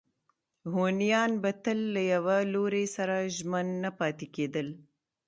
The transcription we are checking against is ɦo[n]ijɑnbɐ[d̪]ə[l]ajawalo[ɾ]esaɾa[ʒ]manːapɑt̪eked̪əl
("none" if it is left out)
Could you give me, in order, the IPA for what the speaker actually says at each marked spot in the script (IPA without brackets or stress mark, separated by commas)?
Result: n, t̪, lː, ɾ, ʒ